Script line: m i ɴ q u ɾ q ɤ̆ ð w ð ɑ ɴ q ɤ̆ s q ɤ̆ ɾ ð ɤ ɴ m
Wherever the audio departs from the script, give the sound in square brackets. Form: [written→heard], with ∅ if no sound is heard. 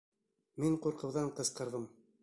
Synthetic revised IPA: m i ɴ q u ɾ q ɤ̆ [ð→∅] w ð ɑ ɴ q ɤ̆ s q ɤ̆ ɾ ð ɤ [ɴ→∅] m